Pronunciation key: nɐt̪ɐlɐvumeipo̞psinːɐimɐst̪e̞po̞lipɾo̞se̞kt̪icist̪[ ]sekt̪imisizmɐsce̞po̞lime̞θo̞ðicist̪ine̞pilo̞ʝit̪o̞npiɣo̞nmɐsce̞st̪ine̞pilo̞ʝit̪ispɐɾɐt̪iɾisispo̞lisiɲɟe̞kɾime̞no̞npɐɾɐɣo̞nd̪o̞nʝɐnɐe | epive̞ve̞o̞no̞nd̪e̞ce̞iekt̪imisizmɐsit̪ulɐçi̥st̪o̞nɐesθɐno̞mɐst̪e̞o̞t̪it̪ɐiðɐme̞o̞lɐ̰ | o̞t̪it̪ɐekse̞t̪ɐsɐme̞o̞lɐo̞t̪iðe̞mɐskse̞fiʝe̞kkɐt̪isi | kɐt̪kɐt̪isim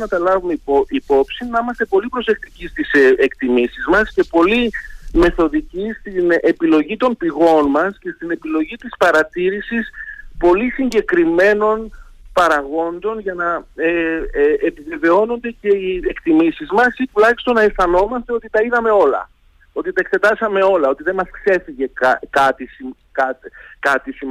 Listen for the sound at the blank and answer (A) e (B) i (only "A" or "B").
B